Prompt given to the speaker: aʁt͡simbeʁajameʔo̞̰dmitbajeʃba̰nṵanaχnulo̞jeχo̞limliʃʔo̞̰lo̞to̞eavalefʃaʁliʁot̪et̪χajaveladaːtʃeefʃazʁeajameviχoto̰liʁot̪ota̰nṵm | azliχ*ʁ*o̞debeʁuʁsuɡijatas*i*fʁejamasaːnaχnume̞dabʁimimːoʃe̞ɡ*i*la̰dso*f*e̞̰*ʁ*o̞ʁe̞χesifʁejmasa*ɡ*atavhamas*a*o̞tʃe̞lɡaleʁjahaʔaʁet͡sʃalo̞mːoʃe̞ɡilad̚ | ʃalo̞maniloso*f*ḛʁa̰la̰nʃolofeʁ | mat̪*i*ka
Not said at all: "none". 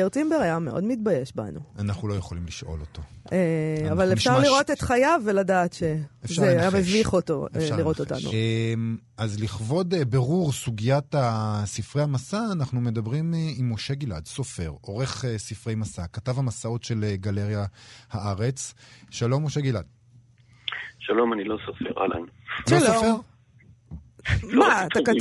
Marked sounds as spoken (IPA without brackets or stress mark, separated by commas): v, i, i, f, ʁ, k, a, f, a